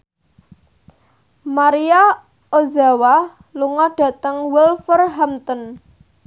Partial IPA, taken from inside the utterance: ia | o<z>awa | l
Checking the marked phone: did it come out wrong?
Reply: no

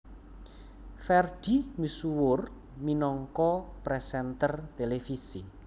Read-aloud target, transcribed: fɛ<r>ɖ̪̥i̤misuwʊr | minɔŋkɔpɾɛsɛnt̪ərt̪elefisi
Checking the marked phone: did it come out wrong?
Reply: no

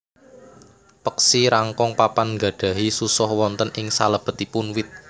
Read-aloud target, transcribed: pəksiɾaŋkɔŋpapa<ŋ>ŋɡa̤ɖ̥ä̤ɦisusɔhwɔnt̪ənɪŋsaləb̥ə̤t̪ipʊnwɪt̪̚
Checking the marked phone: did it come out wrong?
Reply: yes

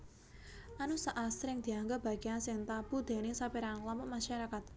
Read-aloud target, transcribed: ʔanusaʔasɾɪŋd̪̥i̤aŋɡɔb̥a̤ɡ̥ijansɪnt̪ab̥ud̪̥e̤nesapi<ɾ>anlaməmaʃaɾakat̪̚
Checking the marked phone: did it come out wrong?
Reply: no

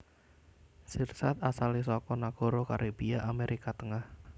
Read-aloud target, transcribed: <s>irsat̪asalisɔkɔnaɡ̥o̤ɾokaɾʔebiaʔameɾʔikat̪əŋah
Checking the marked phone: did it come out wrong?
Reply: no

